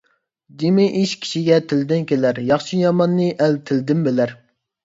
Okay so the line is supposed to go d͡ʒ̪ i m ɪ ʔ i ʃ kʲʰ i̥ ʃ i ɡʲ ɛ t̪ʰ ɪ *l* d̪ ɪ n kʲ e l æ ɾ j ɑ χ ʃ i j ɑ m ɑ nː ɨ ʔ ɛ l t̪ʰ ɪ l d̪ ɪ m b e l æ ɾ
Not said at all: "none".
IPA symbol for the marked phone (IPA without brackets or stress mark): l